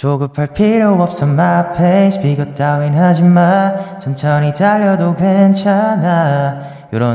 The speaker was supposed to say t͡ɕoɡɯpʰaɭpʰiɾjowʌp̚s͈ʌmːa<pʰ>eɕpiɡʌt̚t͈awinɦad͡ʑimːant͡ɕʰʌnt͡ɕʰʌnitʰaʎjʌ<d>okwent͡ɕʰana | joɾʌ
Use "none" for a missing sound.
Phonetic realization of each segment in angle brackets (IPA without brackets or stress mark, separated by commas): pʰ, d